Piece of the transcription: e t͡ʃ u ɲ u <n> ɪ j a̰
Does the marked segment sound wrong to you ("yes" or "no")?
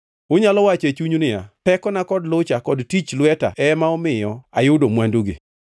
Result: no